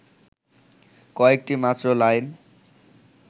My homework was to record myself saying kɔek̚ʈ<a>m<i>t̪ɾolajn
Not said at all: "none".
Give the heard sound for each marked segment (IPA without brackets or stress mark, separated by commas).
i, a